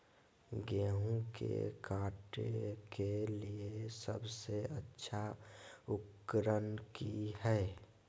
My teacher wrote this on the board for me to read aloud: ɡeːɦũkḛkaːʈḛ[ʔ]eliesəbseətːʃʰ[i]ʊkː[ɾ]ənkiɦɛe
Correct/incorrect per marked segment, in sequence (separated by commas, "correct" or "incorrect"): incorrect, incorrect, correct